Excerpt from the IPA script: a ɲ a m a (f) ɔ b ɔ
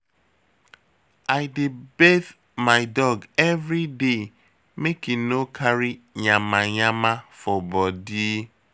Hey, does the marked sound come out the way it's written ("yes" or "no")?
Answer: yes